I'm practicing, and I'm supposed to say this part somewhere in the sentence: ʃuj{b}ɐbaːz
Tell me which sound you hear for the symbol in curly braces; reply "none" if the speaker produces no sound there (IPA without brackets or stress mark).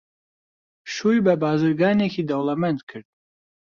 b